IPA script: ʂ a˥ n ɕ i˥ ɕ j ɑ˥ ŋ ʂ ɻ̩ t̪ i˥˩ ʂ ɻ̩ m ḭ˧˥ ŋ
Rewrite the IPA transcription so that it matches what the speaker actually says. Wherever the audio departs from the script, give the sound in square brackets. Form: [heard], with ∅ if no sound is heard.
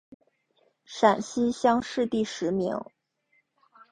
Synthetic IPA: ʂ [a˨˩] n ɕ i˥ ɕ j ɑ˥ ŋ ʂ ɻ̩ t̪ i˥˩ ʂ ɻ̩ m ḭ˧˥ ŋ